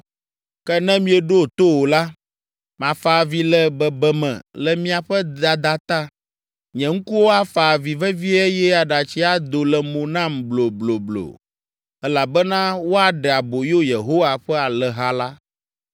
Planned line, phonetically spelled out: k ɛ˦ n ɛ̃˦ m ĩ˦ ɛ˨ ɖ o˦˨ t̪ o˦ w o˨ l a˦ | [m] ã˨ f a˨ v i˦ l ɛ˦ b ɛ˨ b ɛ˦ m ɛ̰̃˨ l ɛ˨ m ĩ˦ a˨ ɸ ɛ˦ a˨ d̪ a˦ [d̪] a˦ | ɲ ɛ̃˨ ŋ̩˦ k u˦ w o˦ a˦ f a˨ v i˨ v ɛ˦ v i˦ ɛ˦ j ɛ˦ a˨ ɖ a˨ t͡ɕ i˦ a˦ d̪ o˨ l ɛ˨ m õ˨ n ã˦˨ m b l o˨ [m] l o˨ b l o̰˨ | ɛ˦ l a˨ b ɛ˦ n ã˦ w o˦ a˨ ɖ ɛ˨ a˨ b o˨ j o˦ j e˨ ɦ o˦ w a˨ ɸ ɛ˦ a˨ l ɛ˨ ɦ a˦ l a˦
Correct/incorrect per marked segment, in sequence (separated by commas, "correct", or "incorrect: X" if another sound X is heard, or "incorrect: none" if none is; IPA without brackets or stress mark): correct, incorrect: t̪, incorrect: b